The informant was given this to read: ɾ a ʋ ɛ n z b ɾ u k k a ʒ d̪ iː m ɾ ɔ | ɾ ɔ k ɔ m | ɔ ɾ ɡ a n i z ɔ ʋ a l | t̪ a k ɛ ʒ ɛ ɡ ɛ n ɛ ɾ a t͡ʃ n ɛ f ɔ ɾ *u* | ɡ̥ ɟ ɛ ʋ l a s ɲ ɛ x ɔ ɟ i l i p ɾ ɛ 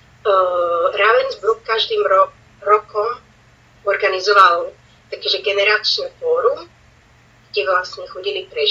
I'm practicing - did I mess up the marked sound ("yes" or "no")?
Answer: no